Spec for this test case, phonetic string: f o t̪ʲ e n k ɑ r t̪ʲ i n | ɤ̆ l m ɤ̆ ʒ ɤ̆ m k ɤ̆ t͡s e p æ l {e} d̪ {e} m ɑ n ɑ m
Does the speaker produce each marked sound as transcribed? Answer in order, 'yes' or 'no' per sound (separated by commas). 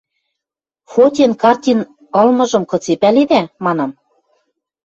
yes, no